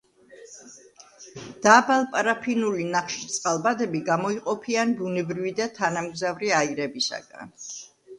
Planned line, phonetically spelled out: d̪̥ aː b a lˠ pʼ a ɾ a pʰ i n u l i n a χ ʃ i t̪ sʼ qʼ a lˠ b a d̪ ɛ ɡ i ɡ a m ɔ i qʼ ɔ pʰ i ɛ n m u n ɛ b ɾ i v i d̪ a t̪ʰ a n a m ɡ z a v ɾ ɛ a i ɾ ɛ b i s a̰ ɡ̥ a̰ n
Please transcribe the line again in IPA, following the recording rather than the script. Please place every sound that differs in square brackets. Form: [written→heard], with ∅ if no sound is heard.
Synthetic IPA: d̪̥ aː b a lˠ pʼ a ɾ a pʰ i n u l i n a χ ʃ i t̪ sʼ qʼ a lˠ b a d̪ ɛ [ɡ→b] i ɡ a m ɔ i qʼ ɔ pʰ i [ɛ→a] n [m→b] u n ɛ b ɾ i v i d̪ a t̪ʰ a n a m ɡ z a v ɾ [ɛ→i] a i ɾ ɛ b i s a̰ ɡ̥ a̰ n